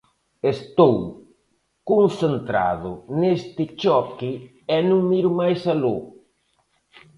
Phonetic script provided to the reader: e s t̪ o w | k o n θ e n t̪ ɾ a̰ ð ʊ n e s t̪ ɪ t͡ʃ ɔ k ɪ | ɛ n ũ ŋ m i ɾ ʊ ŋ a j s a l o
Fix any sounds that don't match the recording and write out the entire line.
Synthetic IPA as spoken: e s t̪ o w | k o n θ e n t̪ ɾ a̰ ð ʊ n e s t̪ ɪ t͡ʃ ɔ k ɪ | ɛ n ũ ŋ m i ɾ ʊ m a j s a l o